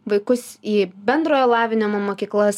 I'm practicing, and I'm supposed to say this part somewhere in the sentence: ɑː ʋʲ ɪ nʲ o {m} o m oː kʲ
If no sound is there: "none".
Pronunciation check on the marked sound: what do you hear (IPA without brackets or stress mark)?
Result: m